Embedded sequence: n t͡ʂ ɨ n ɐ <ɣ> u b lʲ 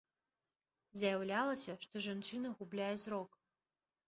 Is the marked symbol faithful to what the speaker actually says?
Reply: yes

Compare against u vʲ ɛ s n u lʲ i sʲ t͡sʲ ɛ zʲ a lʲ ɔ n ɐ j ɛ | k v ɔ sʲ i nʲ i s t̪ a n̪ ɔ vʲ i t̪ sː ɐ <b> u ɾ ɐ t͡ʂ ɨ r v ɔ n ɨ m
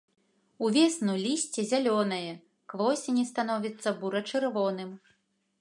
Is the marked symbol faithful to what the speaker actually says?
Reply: yes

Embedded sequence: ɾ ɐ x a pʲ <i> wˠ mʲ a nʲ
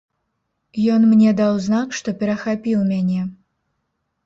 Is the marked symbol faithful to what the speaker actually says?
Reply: yes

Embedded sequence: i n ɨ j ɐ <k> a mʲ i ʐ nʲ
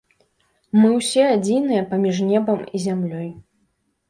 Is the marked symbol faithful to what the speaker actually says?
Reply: no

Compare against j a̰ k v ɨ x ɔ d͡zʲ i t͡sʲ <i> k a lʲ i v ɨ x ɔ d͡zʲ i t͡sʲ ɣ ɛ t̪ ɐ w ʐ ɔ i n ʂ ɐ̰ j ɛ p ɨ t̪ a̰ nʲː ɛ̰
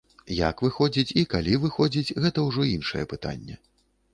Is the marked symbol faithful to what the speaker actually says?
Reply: yes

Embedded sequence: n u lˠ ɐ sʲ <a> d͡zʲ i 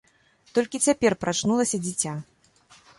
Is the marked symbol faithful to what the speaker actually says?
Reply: no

